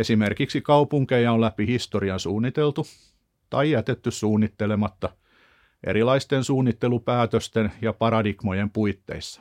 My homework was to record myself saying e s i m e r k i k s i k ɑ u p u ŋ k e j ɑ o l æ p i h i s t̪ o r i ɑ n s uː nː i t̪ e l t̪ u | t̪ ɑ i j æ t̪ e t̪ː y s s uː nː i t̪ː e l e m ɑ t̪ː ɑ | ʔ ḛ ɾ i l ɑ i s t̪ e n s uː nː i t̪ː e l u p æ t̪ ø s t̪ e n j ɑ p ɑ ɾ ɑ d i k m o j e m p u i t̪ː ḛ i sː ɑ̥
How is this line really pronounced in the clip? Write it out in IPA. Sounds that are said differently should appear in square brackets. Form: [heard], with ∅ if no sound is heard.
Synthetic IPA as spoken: e s i m e r k i k s i k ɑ u p u ŋ k e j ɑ o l æ p i h i s t̪ o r i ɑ n s uː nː i t̪ e l t̪ u | t̪ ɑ i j æ t̪ e t̪ː y s s uː nː i t̪ː e l e m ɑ t̪ː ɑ | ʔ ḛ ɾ i l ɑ i s t̪ e n s uː nː i t̪ː e l u p [æː] t̪ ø s t̪ e n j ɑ p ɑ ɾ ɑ d i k m o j e m p u i t̪ː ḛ i sː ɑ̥